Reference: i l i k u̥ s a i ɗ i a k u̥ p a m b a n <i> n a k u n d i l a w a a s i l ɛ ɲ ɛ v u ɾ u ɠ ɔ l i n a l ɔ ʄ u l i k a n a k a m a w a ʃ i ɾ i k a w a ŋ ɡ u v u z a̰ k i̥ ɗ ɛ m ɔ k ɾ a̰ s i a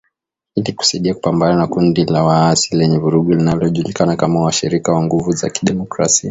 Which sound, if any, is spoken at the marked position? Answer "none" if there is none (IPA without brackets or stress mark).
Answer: a